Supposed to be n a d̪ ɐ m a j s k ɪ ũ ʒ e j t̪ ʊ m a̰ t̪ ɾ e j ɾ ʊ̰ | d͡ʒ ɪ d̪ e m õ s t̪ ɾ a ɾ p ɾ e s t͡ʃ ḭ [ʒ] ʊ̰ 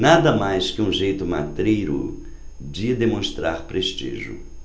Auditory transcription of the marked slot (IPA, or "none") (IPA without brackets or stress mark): ʒ